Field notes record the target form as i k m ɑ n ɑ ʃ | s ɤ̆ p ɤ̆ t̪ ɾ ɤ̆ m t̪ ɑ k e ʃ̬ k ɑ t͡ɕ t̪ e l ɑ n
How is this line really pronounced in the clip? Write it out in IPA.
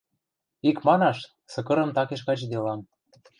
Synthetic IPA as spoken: i k m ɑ n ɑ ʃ | s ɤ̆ k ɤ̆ ɾ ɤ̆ m t̪ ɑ k e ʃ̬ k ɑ t͡ɕ d̪ e l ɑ m